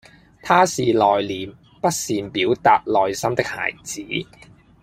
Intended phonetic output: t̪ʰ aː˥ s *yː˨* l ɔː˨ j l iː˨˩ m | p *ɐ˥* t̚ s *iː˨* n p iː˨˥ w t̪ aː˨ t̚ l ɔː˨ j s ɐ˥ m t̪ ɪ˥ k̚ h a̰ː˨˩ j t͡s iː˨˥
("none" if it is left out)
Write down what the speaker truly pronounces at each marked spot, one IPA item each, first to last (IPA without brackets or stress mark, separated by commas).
iː˨, ɐ˥, iː˨